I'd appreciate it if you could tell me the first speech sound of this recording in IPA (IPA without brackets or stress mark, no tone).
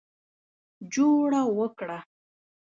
d͡ʒ